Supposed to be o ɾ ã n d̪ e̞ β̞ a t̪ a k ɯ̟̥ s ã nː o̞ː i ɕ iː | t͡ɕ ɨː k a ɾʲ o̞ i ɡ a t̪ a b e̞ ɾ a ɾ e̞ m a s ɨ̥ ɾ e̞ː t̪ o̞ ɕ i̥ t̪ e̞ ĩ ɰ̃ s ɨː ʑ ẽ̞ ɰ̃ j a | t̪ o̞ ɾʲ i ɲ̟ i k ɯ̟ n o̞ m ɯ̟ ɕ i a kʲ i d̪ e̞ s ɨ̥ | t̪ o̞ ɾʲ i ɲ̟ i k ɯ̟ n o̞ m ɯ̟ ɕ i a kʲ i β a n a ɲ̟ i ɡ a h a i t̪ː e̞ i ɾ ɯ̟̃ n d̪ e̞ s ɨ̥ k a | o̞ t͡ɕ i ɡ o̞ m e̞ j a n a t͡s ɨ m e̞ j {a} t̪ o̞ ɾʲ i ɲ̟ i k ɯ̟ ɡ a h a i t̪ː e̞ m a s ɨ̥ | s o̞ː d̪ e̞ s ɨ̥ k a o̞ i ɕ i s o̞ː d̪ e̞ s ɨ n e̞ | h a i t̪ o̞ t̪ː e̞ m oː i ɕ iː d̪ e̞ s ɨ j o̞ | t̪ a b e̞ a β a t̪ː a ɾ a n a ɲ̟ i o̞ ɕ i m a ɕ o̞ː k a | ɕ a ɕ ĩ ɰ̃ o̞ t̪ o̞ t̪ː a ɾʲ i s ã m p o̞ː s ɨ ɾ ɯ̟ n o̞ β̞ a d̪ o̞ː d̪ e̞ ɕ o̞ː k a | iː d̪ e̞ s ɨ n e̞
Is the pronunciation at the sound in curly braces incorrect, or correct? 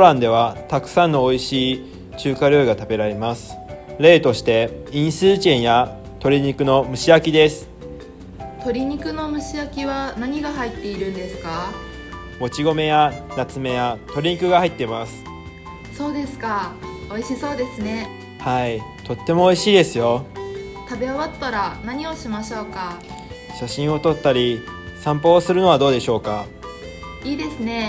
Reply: correct